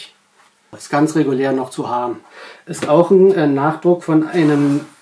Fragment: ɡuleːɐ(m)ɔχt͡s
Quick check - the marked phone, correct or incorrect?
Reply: incorrect